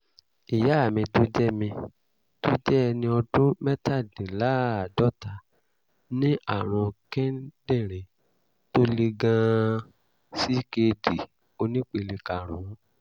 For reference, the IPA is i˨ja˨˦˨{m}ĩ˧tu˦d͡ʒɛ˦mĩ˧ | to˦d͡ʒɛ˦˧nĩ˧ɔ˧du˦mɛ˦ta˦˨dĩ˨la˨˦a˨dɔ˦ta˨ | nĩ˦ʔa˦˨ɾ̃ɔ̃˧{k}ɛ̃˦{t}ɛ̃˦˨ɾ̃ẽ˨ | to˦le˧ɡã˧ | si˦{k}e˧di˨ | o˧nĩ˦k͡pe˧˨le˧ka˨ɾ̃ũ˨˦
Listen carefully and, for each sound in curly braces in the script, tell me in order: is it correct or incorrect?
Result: correct, correct, incorrect: d, correct

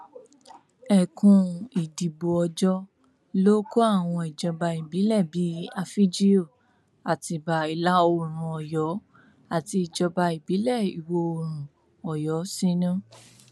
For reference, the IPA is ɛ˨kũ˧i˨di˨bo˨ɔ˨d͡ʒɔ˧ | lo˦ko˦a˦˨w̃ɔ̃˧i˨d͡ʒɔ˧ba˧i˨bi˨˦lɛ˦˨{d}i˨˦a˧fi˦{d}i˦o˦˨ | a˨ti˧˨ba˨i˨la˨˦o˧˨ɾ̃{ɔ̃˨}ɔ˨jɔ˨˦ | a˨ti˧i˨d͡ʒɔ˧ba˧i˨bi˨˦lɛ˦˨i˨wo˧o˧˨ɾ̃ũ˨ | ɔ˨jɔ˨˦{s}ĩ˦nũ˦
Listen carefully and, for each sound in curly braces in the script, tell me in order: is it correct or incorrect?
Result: incorrect: b, incorrect: d͡ʒ, incorrect: ũ˨, correct

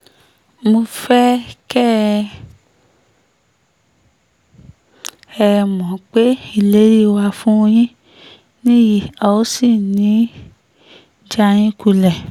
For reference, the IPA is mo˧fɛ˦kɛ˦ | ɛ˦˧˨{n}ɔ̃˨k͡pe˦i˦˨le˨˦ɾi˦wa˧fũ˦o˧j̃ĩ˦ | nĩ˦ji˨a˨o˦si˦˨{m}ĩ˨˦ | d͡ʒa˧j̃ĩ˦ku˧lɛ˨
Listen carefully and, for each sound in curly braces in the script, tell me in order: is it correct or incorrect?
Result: incorrect: m, incorrect: n

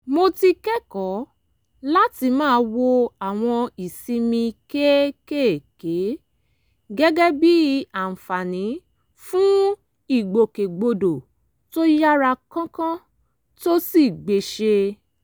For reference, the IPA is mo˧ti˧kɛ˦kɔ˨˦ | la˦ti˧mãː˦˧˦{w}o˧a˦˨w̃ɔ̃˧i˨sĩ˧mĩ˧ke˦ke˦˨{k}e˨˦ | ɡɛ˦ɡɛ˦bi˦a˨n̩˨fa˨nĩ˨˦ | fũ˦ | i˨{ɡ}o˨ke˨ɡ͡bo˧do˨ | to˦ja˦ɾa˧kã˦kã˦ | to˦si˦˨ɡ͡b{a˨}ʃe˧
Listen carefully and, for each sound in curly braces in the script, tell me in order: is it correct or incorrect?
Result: correct, correct, incorrect: ɡ͡b, incorrect: e˨

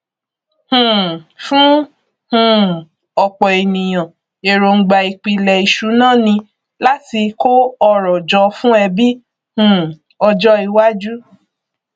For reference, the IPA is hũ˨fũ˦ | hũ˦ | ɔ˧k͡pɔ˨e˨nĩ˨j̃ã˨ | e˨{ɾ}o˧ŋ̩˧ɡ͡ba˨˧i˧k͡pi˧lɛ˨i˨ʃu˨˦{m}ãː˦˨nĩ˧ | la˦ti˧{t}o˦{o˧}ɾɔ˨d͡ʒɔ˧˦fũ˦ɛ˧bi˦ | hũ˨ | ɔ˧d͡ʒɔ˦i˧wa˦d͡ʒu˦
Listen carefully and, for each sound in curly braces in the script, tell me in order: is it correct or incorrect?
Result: correct, incorrect: n, incorrect: k, incorrect: ɔ˧

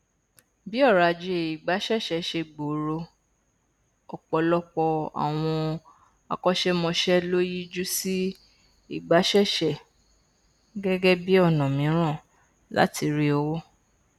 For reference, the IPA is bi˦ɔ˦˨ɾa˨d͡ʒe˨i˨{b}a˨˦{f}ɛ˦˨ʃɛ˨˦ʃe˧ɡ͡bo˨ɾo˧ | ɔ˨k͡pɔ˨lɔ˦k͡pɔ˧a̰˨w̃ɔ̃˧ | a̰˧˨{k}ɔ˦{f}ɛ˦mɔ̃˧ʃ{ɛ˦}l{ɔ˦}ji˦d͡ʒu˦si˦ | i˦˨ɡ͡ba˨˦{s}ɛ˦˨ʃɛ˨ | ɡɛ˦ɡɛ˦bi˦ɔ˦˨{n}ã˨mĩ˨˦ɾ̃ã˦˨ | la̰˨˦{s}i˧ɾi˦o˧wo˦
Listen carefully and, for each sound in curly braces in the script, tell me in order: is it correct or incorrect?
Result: incorrect: ɡ͡b, incorrect: ʃ, correct, incorrect: ʃ, correct, incorrect: o˦, incorrect: ʃ, correct, incorrect: t

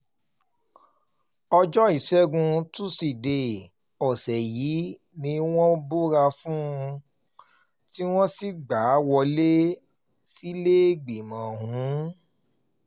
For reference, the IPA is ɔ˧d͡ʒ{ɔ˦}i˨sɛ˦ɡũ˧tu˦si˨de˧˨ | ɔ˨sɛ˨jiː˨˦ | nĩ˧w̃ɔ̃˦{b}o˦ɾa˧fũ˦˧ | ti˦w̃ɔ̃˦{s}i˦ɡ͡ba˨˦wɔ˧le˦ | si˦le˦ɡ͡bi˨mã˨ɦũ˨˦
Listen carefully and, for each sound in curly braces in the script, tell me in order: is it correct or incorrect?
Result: correct, correct, correct

